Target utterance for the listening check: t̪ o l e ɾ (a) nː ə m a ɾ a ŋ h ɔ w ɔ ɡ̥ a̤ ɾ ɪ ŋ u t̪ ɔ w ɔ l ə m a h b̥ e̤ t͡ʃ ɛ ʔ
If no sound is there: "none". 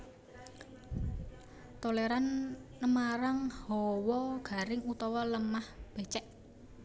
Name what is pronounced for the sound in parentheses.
a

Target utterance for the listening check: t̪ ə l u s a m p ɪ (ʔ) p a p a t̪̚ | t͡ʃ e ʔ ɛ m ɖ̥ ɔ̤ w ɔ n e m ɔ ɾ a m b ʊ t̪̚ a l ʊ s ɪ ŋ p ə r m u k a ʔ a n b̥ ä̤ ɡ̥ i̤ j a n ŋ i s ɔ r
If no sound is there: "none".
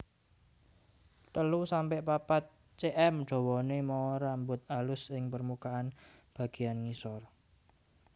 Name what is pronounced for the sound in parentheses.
ʔ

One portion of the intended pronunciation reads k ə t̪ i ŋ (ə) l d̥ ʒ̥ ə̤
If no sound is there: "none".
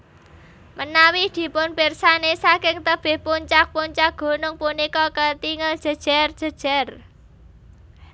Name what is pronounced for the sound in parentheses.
ə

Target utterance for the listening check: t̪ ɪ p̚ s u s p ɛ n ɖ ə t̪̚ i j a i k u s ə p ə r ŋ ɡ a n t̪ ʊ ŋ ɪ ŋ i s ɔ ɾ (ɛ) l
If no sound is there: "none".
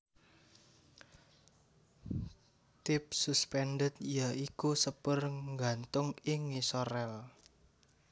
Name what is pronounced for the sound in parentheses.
ɛ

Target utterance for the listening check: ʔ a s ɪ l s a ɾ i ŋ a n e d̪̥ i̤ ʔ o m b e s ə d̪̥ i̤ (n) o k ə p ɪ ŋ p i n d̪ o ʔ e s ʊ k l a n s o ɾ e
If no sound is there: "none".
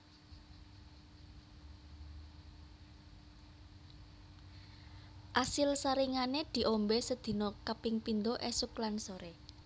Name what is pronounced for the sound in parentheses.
n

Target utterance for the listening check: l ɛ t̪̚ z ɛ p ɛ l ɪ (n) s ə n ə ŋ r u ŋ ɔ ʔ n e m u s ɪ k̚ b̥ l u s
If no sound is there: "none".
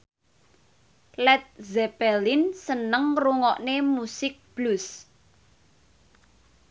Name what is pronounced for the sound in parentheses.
n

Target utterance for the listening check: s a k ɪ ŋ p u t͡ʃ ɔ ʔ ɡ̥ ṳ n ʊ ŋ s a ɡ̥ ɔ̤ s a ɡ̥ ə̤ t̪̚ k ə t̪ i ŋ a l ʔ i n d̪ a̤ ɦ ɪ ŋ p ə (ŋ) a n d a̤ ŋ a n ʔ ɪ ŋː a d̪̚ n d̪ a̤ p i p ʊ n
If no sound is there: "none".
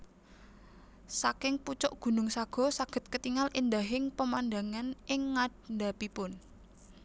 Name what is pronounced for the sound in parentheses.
m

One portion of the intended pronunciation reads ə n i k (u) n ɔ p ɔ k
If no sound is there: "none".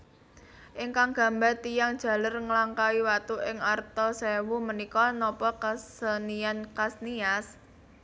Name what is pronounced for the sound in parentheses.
ɔ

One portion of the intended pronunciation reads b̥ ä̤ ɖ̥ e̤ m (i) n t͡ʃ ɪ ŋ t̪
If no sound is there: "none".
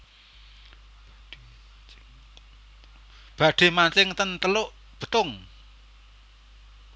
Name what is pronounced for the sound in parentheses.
a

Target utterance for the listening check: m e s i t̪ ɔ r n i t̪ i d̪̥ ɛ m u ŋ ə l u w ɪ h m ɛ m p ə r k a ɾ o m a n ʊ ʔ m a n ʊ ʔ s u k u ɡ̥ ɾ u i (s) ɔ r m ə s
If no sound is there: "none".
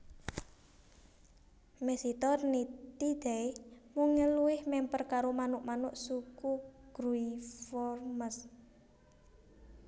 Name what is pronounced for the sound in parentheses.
f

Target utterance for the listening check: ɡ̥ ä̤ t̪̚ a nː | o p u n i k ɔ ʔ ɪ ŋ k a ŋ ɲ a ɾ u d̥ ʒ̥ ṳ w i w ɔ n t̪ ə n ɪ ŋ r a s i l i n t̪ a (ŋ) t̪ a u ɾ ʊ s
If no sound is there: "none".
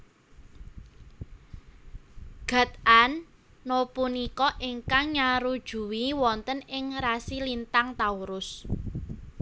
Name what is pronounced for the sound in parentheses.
ŋ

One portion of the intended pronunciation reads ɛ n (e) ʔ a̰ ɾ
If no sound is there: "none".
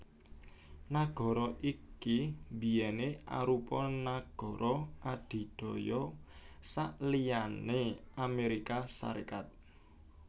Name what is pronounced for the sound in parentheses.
e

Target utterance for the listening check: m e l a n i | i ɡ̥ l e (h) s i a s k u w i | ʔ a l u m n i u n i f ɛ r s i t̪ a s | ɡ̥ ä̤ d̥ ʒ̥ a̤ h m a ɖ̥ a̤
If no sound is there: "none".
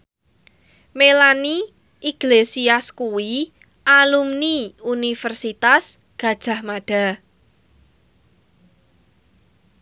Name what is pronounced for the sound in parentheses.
none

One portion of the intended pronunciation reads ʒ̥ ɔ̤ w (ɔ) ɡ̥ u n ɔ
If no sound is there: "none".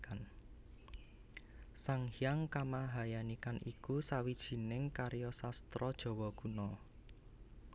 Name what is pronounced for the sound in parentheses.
ɔ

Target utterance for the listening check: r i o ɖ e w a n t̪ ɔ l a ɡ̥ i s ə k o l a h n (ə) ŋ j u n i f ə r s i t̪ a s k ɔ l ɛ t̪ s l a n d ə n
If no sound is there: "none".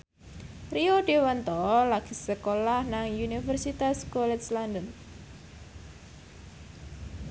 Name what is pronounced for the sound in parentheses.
a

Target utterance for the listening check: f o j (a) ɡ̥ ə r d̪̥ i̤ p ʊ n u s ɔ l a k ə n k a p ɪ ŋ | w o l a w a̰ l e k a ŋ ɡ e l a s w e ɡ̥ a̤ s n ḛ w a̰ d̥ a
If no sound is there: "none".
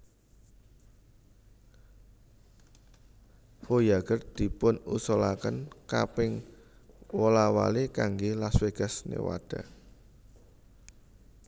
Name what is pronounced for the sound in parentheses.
a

